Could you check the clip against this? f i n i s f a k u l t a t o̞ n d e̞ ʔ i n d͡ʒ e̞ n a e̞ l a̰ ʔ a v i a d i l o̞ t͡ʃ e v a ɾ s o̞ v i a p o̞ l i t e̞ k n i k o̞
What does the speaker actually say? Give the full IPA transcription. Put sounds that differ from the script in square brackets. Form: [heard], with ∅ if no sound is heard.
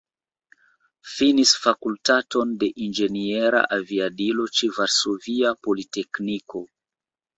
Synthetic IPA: f i n i s f a k u l t a t o̞ n d e̞ ʔ i n d͡ʒ e̞ n [i] e̞ [ɾ] a̰ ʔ a v i a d i l o̞ t͡ʃ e v a ɾ s o̞ v i a p o̞ l i t e̞ k n i k o̞